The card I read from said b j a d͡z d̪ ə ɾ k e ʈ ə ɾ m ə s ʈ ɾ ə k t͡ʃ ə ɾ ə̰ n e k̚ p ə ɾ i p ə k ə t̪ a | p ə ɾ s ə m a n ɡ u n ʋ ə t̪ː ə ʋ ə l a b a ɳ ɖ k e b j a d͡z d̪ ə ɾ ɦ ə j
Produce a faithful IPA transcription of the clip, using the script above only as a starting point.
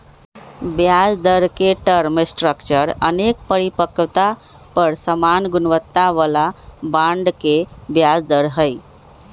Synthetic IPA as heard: b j a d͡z d̪ ə ɾ k e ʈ ə ɾ m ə s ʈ ɾ ə k t͡ʃ ə ɾ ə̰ n e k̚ p ə ɾ i p ə k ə t̪ a | p ə ɾ s ə m a n ɡ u n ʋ ə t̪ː a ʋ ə l a b a ɳ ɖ k e b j a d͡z d̪ ə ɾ ɦ ə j